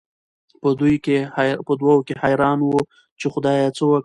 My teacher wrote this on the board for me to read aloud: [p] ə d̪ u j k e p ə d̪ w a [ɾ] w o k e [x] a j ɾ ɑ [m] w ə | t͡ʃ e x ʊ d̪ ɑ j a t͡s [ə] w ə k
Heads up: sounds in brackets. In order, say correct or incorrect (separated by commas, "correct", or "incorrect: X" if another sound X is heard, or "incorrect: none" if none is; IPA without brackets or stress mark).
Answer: correct, incorrect: none, incorrect: h, incorrect: n, correct